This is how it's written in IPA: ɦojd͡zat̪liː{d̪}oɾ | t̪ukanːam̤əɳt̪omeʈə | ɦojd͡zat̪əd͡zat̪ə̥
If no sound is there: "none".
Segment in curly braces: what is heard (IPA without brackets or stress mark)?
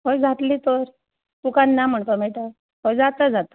t̪